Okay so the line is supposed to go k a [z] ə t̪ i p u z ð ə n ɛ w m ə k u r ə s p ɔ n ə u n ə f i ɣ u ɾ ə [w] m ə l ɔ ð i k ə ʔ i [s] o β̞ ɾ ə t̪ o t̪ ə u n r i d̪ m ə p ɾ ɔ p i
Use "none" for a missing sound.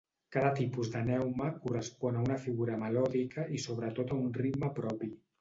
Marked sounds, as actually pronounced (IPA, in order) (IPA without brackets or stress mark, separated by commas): ð, none, s